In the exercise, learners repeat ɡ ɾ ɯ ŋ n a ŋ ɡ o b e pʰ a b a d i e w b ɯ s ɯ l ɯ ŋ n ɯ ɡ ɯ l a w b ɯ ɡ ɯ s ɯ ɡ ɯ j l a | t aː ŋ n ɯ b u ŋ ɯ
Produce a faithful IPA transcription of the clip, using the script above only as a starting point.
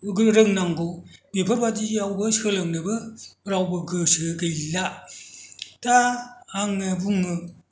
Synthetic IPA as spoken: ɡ ɾ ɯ ŋ n a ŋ ɡ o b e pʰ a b a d i a w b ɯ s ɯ l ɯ ŋ n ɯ b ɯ ɾ a w b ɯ ɡ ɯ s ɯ ɡ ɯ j l a | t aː ŋ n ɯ b u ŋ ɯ